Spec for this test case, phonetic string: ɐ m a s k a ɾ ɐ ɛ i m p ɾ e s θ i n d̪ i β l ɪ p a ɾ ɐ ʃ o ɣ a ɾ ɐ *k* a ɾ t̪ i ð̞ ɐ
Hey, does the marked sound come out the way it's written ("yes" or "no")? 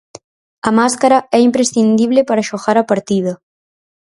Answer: no